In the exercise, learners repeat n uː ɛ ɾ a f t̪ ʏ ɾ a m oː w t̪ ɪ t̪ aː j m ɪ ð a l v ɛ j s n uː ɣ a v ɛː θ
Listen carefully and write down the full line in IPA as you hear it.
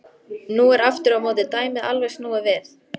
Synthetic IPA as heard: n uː ɛ ɾ a f t̪ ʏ ɾ a m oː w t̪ ɪ t̪ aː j m ɪ ð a l v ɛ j s n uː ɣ a v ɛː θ